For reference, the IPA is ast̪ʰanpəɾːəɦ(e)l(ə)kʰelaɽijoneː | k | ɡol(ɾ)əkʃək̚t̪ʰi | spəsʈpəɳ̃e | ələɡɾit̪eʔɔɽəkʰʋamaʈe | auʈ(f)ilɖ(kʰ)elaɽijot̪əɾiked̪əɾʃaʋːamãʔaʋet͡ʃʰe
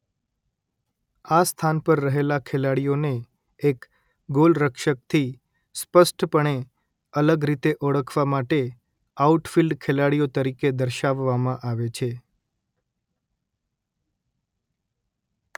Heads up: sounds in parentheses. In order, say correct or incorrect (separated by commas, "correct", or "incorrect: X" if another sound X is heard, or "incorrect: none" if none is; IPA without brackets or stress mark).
correct, incorrect: a, correct, correct, correct